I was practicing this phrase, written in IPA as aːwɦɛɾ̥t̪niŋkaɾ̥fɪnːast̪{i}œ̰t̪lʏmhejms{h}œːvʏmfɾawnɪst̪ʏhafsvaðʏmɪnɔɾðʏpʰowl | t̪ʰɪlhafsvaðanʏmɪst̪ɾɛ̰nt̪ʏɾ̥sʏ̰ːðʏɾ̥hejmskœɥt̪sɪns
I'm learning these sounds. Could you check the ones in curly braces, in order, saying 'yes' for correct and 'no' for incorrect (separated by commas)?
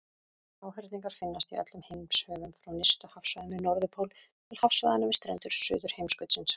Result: yes, yes